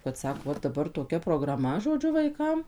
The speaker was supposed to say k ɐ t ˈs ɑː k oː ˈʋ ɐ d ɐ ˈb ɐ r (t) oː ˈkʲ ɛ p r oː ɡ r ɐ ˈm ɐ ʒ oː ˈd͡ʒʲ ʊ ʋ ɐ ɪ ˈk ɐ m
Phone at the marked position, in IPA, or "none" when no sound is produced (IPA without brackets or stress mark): t